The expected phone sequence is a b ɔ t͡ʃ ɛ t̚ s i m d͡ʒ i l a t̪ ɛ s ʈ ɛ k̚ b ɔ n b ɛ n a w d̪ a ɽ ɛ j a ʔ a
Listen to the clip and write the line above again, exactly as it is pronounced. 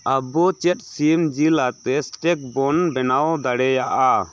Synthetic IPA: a b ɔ t͡ʃ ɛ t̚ s i m d͡ʒ i l a t̪ ɛ s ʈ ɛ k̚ b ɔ n b ɛ n a w d̪ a ɽ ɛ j a ʔ a